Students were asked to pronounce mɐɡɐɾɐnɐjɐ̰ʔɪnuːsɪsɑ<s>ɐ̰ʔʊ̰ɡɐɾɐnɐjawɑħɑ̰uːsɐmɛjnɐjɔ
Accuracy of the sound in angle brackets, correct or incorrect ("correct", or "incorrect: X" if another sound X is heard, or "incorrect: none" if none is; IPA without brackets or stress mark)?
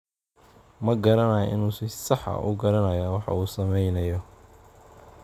incorrect: ħ